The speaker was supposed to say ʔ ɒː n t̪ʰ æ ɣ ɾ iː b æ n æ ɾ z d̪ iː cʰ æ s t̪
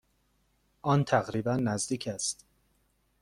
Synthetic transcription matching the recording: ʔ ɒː n t̪ʰ æ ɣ ɾ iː b æ nː æ z d̪ iː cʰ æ s t̪

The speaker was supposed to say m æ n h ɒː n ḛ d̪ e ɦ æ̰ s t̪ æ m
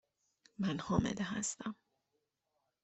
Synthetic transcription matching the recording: m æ n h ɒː m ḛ d̪ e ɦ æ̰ s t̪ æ m

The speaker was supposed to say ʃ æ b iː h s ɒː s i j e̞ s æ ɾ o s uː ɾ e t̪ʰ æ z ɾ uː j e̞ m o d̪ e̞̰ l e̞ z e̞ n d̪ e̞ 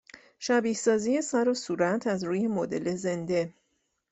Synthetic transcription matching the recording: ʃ æ b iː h s ɒː z i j e̞ s æ ɾ o s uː ɾ æ t̪ʰ æ z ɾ uː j e̞ m o d̪ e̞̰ l e̞ z e̞ n d̪ e̞

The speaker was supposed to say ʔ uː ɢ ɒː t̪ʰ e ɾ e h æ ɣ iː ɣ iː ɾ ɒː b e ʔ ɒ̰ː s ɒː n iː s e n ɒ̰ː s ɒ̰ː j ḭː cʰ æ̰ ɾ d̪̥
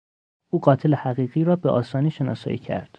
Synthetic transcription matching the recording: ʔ uː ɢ ɒː t̪ʰ e l e h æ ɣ iː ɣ iː ɾ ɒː b e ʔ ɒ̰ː s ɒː n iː ʃ e n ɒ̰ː s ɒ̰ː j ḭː cʰ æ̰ ɾ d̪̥

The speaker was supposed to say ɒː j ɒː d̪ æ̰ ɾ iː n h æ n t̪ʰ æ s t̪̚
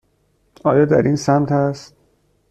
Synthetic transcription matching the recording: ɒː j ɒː d̪ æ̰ ɾ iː n s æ m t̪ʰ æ s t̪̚

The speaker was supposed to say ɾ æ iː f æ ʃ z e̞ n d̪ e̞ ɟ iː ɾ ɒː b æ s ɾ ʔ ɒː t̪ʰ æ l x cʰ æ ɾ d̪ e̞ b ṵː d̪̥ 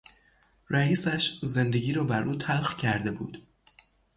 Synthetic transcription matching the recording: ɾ æ iː s æ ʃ z e̞ n d̪ e̞ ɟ iː ɾ ɒː b æ ɾ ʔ uː t̪ʰ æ l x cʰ æ ɾ d̪ e̞ b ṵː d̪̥

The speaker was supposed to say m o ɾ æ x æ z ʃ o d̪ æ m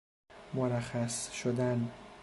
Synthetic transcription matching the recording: m o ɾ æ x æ s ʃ o d̪ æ n

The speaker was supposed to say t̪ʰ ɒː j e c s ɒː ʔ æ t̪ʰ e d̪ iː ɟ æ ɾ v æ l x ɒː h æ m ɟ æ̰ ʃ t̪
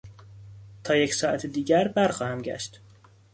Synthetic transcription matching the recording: t̪ʰ ɒː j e c s ɒː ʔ æ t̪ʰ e d̪ iː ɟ æ ɾ b æ ɾ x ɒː h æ m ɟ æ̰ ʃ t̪

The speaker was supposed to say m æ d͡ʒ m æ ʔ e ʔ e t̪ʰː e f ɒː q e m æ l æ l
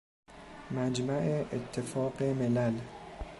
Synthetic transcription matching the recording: m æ d͡ʒ m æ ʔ e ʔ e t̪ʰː e f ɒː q e m e l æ l

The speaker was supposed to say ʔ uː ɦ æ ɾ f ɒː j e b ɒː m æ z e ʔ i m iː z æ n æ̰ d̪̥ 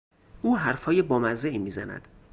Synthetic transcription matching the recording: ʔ uː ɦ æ ɾ f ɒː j e b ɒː m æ z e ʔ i m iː z æ n æ̰ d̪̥

